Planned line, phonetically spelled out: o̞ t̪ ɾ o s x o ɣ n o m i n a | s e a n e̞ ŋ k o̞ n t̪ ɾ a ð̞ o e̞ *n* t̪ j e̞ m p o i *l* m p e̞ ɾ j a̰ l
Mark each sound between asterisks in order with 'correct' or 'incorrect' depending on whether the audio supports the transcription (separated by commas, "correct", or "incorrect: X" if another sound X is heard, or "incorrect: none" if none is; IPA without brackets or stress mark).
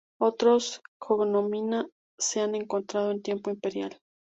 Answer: correct, incorrect: none